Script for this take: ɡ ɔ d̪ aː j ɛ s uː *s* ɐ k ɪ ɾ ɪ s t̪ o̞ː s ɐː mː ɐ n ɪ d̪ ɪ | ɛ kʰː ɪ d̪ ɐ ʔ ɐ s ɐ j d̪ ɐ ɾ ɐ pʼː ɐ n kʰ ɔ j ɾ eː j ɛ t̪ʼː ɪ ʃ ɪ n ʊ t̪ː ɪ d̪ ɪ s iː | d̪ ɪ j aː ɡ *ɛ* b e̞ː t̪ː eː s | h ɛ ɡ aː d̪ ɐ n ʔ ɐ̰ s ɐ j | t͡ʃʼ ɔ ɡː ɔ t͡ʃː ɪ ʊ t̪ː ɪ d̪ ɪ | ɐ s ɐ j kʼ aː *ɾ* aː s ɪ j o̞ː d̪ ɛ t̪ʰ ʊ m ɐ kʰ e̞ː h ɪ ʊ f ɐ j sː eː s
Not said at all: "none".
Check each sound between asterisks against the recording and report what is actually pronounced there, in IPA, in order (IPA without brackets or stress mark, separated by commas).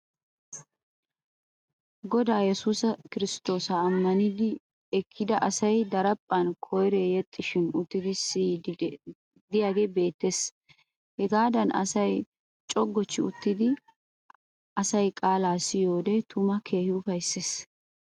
s, e, l